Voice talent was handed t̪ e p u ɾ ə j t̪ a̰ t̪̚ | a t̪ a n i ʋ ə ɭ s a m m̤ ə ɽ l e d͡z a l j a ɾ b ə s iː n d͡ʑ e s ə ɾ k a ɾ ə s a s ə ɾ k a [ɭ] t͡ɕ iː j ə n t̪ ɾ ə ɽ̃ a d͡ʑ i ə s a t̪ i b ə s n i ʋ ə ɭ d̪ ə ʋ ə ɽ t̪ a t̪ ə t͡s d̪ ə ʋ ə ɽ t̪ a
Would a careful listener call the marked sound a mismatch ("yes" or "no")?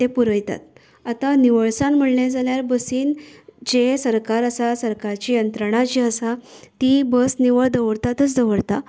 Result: yes